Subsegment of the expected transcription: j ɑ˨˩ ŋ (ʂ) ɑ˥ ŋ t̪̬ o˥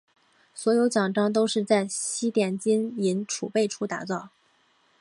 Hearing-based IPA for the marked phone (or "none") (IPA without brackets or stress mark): ʈ͡ʂ